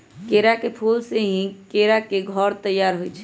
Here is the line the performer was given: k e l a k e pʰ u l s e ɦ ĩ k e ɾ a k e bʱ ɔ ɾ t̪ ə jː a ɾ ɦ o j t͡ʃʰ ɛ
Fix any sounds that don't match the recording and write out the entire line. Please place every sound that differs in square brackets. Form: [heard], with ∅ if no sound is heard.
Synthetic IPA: k e [ɾ] a k e pʰ u l s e ɦ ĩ k e ɾ a k e [ɡʱ] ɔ ɾ t̪ ə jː a ɾ ɦ o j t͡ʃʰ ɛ